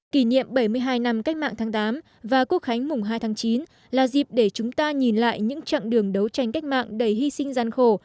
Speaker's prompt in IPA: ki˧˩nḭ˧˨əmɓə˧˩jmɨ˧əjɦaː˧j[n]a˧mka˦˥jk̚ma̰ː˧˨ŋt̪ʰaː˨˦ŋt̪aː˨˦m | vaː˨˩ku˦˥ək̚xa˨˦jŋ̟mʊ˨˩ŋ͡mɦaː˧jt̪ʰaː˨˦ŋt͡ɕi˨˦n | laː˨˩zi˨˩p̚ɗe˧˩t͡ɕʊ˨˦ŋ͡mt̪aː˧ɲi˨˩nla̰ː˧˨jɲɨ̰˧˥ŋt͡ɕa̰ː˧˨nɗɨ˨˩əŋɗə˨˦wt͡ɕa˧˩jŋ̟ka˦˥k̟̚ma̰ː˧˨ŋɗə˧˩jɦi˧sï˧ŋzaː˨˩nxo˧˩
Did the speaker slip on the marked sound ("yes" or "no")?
no